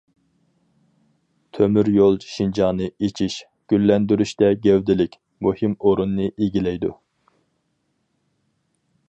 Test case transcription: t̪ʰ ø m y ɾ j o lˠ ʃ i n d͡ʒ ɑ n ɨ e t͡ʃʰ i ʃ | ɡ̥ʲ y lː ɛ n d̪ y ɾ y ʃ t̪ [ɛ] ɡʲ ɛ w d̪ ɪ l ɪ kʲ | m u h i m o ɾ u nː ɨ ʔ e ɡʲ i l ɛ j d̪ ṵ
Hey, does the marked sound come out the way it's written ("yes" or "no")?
yes